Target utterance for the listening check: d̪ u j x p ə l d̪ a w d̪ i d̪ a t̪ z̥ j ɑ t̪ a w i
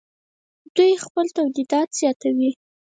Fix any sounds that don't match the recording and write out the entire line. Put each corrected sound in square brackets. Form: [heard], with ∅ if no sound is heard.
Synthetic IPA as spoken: d̪ u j x p ə l [t̪] a w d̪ i d̪ [ɑ] t̪ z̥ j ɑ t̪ a w i